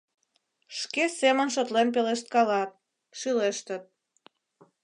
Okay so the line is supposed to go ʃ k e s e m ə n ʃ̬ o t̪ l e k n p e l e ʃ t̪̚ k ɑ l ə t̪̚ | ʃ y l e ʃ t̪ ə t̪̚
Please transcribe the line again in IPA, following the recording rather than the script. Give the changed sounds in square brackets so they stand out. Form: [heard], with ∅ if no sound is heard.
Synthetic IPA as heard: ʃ k e s e m ə n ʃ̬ o t̪ l e [∅] n p e l e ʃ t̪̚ k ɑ l [ɑ] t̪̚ | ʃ y l e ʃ t̪ ə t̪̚